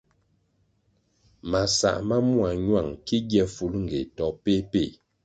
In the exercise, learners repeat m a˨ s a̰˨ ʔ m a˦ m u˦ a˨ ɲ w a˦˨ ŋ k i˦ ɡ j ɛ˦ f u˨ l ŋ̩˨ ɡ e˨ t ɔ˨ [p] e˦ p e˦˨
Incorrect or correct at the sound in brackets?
correct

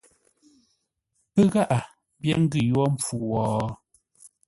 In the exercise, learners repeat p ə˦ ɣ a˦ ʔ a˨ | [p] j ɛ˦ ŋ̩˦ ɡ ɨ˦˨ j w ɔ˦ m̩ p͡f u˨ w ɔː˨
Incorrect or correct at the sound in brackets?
incorrect: b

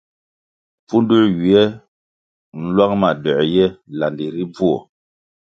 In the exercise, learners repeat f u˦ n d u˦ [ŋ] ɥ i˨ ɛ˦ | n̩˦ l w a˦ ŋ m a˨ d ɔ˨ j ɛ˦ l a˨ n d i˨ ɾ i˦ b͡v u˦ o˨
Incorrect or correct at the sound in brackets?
incorrect: none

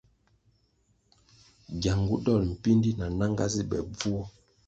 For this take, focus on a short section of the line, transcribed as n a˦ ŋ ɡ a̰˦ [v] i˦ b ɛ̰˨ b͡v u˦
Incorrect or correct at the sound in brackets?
incorrect: z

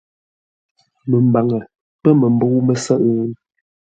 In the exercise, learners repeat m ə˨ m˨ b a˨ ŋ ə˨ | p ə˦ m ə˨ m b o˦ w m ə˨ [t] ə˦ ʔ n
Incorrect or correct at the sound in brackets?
incorrect: s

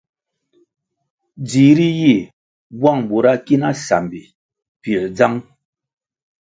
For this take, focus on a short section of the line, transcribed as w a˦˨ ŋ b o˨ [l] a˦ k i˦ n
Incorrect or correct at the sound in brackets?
incorrect: ɾ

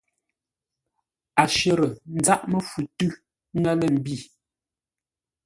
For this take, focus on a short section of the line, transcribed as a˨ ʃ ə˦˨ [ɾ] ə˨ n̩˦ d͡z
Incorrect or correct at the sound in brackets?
correct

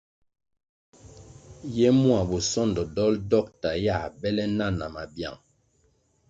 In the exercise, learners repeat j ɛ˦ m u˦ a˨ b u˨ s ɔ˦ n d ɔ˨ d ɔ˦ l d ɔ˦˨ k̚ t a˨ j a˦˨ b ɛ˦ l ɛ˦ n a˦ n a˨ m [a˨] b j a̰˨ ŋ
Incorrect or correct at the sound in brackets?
correct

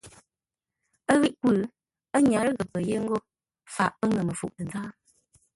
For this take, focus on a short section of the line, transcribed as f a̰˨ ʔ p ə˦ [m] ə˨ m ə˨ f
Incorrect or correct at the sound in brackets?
incorrect: ŋ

